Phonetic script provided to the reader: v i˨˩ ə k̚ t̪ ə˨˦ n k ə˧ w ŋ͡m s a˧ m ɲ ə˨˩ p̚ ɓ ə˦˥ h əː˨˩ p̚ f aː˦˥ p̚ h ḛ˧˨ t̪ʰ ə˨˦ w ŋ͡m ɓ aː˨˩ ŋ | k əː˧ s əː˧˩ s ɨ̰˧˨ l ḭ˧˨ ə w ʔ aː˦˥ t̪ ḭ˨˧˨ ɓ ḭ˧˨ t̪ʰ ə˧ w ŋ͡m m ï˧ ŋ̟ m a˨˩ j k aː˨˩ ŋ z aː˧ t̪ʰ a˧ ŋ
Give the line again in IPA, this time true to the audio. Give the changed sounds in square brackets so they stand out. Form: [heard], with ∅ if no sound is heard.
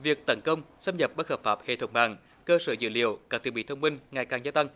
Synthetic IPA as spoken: v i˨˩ ə k̚ t̪ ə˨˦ n k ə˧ w ŋ͡m s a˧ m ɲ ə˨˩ p̚ ɓ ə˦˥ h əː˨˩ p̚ f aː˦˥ p̚ h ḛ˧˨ t̪ʰ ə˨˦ w ŋ͡m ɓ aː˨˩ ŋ | k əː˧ s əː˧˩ [z] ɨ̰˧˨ l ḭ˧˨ ə w [k] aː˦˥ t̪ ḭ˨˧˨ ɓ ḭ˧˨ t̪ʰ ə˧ w ŋ͡m m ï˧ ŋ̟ [ŋ] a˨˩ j k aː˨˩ ŋ z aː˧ [t̪] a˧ ŋ